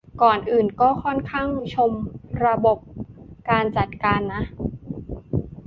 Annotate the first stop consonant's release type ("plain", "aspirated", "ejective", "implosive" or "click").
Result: plain